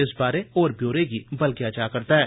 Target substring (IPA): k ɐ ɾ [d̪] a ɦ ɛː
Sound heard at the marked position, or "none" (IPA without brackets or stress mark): t̪